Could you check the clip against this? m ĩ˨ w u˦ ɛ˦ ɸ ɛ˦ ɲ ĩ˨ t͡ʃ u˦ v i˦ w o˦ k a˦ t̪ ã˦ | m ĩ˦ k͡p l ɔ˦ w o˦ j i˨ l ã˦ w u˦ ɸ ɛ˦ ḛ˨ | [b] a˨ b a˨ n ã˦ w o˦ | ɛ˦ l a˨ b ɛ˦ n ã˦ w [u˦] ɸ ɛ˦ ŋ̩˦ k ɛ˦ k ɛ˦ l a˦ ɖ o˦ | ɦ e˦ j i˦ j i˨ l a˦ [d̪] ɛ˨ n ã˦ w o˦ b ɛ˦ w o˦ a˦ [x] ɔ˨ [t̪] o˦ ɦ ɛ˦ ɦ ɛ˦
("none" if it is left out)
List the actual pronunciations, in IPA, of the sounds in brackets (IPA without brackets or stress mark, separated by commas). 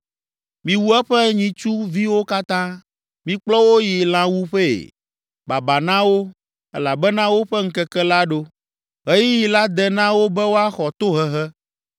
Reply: b, o˦, d̪, x, t̪